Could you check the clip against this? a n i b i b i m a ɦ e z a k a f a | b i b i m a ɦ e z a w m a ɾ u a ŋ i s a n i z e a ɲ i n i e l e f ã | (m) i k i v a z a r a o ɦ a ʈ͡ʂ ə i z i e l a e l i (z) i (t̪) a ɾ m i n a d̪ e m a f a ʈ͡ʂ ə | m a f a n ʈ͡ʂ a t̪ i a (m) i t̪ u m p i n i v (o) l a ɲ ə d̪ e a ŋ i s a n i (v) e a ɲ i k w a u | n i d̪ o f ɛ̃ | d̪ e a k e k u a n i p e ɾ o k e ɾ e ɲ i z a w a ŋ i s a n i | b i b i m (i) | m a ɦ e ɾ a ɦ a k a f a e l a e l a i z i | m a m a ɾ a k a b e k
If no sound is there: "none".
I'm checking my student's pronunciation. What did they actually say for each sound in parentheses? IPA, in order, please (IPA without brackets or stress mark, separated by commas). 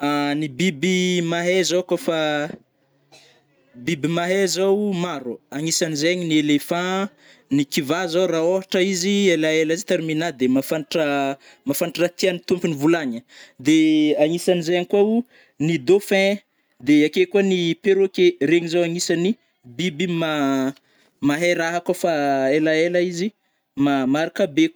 n, z, t̪, n, u, z, a